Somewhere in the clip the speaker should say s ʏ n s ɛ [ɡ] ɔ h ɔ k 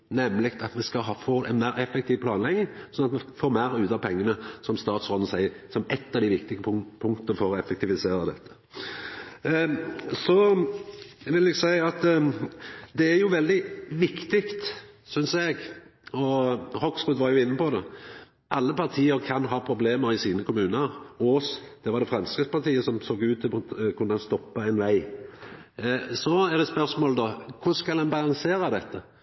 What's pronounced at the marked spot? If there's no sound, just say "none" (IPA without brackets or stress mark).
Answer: ɡ